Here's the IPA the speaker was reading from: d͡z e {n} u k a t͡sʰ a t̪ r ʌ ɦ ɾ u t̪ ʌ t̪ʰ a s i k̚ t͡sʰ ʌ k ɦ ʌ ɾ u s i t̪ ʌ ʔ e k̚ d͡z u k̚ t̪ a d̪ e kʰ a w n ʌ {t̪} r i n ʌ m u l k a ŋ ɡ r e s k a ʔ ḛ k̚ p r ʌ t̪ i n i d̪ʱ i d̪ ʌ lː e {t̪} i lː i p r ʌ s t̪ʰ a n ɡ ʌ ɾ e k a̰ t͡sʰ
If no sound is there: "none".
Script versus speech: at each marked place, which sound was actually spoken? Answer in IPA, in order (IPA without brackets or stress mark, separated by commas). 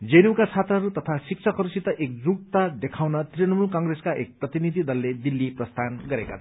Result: n, t̪, d̪